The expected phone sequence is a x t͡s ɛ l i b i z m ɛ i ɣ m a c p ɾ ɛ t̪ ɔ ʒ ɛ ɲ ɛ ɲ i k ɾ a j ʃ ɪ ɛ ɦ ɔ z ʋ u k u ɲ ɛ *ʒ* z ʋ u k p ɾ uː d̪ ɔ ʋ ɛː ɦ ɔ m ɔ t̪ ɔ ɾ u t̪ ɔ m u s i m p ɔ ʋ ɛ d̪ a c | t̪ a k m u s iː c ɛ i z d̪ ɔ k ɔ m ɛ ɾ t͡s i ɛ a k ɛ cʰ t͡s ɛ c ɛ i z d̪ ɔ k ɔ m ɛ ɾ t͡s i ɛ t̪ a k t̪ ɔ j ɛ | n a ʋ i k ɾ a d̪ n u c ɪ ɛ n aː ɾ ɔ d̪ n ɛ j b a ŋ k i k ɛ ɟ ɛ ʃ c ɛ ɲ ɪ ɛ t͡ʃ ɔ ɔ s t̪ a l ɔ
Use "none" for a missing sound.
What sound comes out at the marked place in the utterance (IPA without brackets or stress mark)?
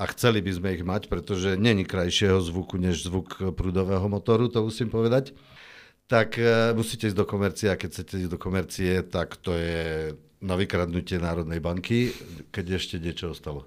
ʒ